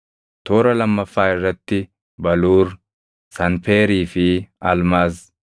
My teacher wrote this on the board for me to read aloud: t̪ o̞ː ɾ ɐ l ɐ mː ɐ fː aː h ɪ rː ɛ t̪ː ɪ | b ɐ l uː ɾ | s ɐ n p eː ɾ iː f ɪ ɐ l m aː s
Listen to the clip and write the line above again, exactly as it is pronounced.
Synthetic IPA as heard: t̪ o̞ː ɾ ɐ l ɐ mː ɐ fː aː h ɪ rː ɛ t̪ː ɪ | b ɐ l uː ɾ | s ɐ n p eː ɾ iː f ɪ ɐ l m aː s